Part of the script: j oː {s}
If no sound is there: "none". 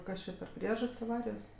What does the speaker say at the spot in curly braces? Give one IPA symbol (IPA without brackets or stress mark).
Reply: s